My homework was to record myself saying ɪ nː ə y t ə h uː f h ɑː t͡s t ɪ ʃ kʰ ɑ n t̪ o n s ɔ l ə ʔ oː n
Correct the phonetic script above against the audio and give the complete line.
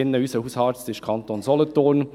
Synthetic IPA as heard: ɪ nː ə y s ə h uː s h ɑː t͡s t ɪ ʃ kʰ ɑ n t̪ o n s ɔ l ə t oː n